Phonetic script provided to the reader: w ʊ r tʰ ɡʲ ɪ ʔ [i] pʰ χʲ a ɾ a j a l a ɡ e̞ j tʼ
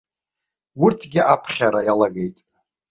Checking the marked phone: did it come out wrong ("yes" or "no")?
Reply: yes